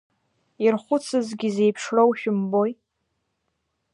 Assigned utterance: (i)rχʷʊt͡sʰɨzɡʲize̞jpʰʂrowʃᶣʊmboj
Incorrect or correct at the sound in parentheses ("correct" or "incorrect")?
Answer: correct